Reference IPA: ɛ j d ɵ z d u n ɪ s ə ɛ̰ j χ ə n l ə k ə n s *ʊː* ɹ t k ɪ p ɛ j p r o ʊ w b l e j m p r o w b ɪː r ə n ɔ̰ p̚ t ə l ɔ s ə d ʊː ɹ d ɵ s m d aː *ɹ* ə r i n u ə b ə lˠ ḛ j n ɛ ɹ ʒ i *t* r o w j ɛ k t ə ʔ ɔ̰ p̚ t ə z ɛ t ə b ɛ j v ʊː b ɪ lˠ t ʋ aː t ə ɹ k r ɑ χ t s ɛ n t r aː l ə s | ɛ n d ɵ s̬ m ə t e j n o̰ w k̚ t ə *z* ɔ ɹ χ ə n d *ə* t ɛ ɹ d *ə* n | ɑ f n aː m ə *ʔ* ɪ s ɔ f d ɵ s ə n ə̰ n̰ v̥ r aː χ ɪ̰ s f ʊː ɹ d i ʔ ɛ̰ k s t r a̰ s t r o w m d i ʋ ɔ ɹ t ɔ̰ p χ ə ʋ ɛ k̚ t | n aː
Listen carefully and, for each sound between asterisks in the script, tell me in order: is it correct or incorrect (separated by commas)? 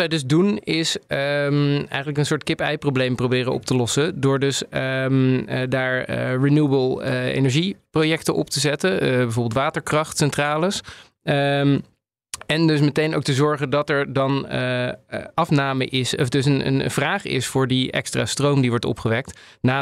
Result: correct, correct, incorrect, correct, incorrect, incorrect, correct